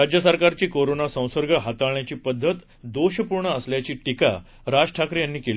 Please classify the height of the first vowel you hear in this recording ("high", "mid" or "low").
low